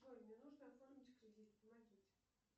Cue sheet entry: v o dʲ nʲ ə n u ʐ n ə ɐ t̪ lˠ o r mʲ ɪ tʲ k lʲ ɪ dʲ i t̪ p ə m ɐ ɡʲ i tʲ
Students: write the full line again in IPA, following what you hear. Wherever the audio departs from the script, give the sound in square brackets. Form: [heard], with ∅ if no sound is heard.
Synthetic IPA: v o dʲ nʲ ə n u ʐ n ə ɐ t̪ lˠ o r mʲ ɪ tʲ k [ɾʲ] ɪ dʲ i t̪ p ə m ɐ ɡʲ i tʲ

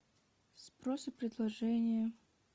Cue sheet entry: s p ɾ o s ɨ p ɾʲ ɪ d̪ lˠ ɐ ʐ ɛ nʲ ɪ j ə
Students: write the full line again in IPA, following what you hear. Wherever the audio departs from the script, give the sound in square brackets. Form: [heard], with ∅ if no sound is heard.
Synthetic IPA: s p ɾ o s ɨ p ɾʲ ɪ d̪ lˠ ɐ ʐ ɛ nʲ ɪ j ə

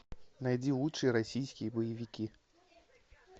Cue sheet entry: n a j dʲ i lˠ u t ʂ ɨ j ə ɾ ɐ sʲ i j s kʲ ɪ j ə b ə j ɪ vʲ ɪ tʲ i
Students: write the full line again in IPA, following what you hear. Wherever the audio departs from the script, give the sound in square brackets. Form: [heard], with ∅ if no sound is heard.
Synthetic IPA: n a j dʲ i lˠ u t ʂ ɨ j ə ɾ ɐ sʲ i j s kʲ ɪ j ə b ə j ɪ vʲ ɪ [kʲ] i

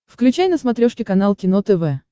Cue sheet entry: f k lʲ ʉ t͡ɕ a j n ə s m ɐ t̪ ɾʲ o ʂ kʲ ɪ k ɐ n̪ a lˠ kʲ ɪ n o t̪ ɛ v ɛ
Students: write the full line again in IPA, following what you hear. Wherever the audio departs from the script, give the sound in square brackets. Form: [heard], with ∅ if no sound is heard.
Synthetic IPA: f k lʲ ʉ t͡ɕ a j n ə s m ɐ t̪ ɾʲ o ʂ kʲ ɪ k ɐ n̪ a lˠ kʲ ɪ n o t̪ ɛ v ɛ

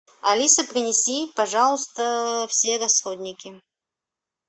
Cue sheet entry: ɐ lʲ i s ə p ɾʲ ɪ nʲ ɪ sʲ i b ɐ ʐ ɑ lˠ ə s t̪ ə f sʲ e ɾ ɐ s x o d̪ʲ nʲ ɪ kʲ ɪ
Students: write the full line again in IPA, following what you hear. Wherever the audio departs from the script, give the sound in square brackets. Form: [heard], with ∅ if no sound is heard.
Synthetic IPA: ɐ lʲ i s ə p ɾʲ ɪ nʲ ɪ sʲ i [p] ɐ ʐ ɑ lˠ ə s t̪ ə f sʲ e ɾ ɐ s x o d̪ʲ nʲ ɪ kʲ ɪ

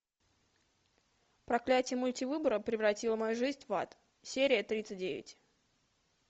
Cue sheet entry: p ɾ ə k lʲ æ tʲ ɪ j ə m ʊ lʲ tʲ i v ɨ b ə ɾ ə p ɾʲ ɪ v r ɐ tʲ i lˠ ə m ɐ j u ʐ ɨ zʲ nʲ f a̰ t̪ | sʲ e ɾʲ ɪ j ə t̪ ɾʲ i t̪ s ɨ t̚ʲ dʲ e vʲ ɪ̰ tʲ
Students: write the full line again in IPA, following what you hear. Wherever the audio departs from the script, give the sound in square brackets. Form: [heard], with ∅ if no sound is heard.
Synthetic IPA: p ɾ [ɐ] k lʲ æ tʲ ɪ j ə m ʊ lʲ tʲ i v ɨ b ə ɾ ə p ɾʲ ɪ v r ɐ tʲ i lˠ ə m ɐ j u ʐ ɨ zʲ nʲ [v] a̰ t̪ | sʲ e ɾʲ ɪ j ə t̪ ɾʲ i t̪ s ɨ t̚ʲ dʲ e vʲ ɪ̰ tʲ

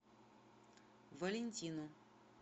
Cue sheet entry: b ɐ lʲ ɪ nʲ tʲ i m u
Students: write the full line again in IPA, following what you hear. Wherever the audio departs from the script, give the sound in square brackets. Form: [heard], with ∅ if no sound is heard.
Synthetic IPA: [v] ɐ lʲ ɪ nʲ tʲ i [n] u

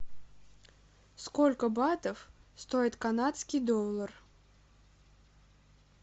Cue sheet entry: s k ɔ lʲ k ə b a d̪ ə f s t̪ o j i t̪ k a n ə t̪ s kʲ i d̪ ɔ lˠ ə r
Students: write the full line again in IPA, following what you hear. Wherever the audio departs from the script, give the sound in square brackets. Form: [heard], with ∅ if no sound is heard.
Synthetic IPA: s k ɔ lʲ k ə b a [t̪] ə f s t̪ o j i t̪ k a n [a] t̪ s kʲ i d̪ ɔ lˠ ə r

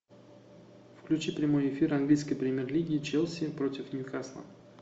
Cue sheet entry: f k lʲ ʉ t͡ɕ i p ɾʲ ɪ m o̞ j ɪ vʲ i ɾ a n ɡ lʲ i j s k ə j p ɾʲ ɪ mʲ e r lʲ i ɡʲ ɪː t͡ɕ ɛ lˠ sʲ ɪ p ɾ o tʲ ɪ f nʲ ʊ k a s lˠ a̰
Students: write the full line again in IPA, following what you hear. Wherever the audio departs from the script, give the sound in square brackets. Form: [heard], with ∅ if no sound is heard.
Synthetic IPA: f k lʲ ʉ t͡ɕ i p ɾʲ ɪ m o̞ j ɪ [fʲ] i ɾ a n ɡ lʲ i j s k ə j p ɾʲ ɪ mʲ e r lʲ i ɡʲ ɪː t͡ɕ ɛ lˠ sʲ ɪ p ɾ o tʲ ɪ f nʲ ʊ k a s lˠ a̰

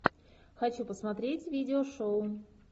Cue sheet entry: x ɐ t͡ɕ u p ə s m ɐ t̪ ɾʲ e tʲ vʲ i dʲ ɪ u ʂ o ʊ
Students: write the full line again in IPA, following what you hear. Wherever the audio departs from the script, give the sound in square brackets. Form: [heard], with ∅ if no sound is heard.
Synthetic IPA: x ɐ t͡ɕ u p ə s m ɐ t̪ ɾʲ e tʲ vʲ i dʲ ɪ [o] ʂ o ʊ

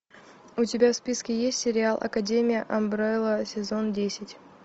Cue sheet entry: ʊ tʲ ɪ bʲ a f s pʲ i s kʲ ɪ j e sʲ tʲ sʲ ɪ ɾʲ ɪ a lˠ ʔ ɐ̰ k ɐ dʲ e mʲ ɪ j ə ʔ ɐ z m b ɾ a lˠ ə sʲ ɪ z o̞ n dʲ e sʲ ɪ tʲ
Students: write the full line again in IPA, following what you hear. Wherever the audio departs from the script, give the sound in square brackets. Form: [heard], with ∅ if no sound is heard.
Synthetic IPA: ʊ tʲ ɪ bʲ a f s pʲ i s kʲ ɪ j e sʲ tʲ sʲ ɪ ɾʲ ɪ a lˠ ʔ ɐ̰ k ɐ dʲ e mʲ ɪ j ə ʔ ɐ [∅] m b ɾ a lˠ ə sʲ ɪ z o̞ n dʲ e sʲ ɪ tʲ

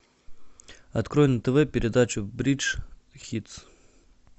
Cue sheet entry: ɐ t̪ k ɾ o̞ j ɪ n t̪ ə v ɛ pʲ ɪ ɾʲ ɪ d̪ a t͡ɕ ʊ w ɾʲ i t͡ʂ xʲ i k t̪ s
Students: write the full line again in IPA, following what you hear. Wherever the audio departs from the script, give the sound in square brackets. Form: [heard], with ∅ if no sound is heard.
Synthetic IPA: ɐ t̪ k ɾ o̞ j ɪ n t̪ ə v ɛ pʲ ɪ ɾʲ ɪ d̪ a t͡ɕ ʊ [b] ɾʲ i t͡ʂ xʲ i [∅] t̪ s

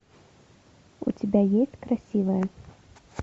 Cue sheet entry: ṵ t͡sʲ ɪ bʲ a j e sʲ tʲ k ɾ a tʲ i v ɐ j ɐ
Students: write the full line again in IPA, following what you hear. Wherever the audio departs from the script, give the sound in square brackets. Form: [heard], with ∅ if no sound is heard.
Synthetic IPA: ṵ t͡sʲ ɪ bʲ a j e sʲ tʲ k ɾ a [sʲ] i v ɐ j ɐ

